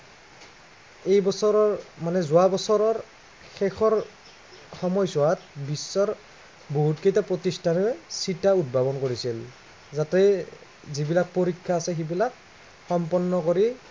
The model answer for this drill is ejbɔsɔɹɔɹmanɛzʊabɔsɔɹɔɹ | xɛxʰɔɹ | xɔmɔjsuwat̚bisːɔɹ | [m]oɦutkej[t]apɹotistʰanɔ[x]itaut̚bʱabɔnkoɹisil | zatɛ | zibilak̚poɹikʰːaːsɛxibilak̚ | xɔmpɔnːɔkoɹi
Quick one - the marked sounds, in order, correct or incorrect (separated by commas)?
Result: incorrect, correct, incorrect